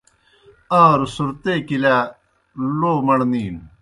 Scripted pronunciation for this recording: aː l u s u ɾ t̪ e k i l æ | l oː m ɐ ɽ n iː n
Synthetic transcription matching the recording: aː ɾ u s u ɾ t̪ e k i l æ | l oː m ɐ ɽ n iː n

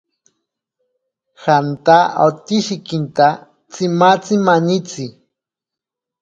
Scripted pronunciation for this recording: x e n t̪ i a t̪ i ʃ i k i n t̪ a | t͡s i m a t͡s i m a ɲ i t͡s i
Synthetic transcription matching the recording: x a n t̪ a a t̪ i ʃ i k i n t̪ a | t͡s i m a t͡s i m a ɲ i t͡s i

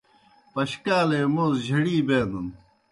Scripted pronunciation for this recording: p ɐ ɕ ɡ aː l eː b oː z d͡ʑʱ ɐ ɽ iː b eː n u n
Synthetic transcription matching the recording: p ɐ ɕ k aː l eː m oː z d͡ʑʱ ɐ ɽ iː b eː n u n

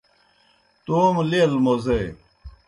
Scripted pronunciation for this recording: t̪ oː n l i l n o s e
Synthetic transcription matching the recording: t̪ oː m l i l m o z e

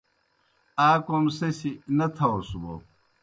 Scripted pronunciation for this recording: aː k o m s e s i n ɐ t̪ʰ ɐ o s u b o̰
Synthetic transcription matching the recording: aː k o m s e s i n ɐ t̪ʰ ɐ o s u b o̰

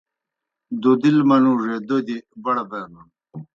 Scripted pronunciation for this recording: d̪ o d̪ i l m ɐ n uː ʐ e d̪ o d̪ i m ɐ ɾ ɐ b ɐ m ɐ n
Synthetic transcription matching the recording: d̪ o d̪ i l m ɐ n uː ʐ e d̪ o d̪ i b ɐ ɽ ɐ b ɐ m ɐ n

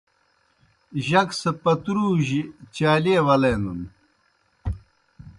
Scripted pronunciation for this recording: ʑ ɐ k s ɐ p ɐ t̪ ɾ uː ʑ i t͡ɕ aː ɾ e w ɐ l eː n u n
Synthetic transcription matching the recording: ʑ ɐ k s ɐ p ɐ t̪ ɾ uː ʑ i t͡ɕ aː l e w ɐ l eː n u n

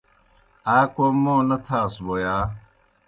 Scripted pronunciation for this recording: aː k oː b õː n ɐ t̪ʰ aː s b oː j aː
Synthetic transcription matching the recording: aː k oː m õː n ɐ t̪ʰ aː s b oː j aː

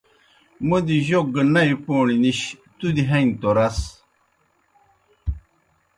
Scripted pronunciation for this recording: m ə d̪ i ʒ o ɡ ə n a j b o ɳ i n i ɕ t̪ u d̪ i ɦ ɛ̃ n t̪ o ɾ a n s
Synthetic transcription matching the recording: m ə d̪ i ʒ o ɡ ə n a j p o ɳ i n i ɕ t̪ u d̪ i ɦ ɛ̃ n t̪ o ɾ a s

